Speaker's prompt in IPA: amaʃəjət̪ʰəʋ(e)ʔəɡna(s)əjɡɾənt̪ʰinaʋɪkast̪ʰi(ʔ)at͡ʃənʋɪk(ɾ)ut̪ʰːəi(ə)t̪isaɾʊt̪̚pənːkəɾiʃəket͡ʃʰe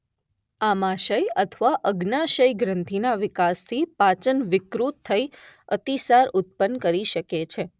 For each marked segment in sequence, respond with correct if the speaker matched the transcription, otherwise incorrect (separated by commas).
incorrect, incorrect, incorrect, correct, correct